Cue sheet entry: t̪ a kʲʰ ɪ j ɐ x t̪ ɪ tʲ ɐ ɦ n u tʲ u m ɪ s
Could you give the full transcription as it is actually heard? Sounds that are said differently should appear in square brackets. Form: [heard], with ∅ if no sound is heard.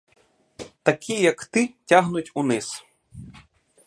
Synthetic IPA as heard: t̪ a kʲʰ [i] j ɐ [k] t̪ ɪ tʲ [a] ɦ n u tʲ u [n] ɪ s